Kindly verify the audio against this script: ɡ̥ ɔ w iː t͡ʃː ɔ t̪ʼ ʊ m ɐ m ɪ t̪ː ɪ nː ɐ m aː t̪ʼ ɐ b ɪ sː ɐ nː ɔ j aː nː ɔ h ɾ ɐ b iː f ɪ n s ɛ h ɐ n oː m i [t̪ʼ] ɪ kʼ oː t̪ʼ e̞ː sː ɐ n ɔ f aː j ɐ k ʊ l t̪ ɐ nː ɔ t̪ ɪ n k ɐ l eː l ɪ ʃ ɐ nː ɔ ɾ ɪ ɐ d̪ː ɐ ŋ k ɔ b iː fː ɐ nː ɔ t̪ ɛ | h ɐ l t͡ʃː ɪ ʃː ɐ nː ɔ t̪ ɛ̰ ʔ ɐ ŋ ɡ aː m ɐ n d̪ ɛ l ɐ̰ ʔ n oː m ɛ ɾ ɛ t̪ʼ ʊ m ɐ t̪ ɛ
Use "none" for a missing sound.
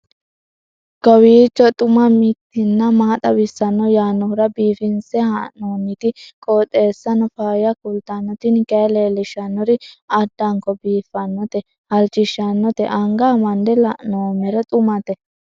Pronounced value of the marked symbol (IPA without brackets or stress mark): t̪